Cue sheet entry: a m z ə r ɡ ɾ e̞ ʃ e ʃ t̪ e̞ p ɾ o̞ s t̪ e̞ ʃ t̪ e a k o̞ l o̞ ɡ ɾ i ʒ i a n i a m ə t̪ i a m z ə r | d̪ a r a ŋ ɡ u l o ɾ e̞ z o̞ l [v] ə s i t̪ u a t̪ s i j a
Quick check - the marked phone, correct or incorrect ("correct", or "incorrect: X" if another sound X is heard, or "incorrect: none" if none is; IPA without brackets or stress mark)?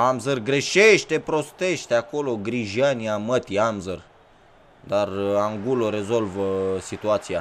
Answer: correct